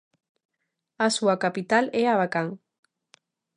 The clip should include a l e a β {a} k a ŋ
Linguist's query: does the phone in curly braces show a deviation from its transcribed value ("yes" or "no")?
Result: no